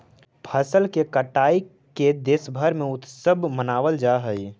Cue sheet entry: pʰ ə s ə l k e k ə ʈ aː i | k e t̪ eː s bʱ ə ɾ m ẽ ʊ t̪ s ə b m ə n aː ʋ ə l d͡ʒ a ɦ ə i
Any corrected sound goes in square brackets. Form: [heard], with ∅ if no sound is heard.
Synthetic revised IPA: pʰ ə s ə l k e k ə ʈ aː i | k e [d̪] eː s bʱ ə ɾ m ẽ ʊ t̪ s ə b m ə n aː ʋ ə l d͡ʒ a ɦ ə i